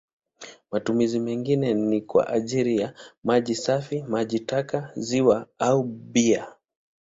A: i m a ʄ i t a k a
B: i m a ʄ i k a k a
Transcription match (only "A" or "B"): A